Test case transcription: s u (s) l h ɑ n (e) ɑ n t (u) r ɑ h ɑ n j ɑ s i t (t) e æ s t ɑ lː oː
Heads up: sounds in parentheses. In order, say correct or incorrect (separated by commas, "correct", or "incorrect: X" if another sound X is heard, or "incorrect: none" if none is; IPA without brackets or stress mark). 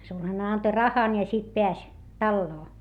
incorrect: none, correct, incorrect: o, incorrect: p